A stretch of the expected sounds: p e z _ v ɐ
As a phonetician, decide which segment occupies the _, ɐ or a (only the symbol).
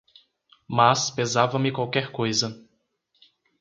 a